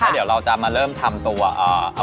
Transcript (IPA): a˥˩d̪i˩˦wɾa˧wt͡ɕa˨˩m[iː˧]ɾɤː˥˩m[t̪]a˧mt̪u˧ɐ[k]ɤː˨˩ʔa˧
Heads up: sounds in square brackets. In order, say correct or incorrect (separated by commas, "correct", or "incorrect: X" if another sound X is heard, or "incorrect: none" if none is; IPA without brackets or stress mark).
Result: incorrect: aː˧, incorrect: t̪ʰ, incorrect: ʔ